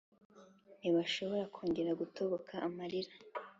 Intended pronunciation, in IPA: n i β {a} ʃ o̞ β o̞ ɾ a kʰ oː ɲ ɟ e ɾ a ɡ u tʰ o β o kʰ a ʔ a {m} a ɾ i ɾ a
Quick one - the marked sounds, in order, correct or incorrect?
correct, correct

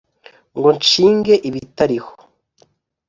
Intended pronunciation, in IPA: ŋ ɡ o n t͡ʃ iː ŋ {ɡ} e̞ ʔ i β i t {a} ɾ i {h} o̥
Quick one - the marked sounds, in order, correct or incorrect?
correct, correct, correct

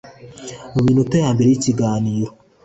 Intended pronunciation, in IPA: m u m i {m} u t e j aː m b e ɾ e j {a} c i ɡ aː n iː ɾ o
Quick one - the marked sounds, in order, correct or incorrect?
incorrect, incorrect

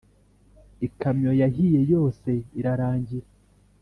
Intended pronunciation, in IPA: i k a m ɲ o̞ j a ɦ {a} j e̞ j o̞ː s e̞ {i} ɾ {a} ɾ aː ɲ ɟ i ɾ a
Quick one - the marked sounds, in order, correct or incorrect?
incorrect, correct, correct

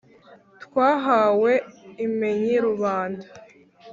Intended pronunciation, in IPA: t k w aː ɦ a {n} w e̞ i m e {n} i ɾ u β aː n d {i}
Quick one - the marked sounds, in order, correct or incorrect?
incorrect, incorrect, incorrect

